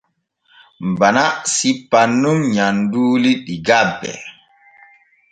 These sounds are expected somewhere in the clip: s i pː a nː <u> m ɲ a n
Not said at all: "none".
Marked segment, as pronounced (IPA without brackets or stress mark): u